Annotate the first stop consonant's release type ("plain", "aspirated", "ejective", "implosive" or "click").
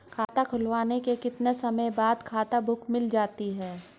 aspirated